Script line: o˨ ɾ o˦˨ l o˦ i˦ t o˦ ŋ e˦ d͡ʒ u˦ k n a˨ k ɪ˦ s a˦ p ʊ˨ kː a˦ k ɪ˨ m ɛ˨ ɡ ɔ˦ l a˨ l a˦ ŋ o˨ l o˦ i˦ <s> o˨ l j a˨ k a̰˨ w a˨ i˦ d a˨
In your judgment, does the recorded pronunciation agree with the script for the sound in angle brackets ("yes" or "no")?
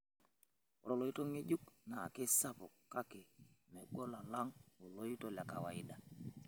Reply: no